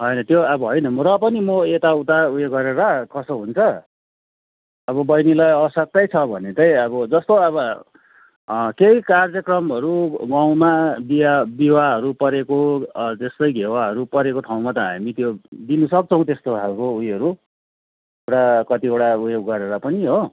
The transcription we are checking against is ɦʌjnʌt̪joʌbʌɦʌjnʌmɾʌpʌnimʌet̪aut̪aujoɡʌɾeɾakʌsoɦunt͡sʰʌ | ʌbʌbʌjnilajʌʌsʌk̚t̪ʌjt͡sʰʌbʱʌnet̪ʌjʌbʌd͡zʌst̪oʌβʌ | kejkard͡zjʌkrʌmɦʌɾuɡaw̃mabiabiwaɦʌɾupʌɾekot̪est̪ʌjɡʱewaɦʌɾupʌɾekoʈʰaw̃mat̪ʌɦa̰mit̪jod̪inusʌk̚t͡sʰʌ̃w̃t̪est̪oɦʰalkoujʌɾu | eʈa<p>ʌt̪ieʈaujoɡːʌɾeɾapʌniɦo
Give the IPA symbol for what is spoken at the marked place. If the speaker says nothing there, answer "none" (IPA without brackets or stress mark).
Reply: k